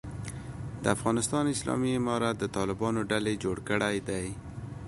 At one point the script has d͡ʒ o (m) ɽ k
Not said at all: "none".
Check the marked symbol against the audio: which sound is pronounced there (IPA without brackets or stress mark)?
none